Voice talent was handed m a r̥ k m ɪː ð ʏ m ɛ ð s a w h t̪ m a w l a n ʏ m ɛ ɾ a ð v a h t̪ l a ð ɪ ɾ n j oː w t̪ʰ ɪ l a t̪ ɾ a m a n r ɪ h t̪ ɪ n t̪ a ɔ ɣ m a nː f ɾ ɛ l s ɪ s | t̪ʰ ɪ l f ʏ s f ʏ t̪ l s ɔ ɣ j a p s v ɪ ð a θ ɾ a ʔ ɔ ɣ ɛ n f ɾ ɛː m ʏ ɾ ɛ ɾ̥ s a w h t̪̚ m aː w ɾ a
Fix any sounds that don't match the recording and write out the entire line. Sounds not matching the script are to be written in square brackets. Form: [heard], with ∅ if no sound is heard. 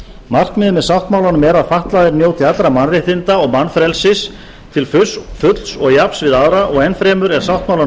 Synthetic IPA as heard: m a r̥ k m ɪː ð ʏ m ɛ ð s a w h t̪ m a w l a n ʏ m ɛ ɾ a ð [f] a h t̪ l a ð ɪ ɾ n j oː w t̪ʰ ɪ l a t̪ ɾ a m a n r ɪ h t̪ ɪ n t̪ a ɔ ɣ m a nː f ɾ ɛ l s ɪ s | t̪ʰ ɪ l f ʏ s f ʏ t̪ l s ɔ ɣ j a p s v ɪ ð a [ð] ɾ a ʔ ɔ ɣ ɛ n f ɾ ɛː m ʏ ɾ ɛ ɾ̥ s a w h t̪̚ m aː w [l] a